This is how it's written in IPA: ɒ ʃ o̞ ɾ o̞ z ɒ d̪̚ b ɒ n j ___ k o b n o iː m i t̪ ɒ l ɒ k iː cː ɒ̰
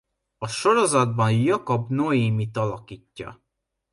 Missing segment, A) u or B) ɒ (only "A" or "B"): B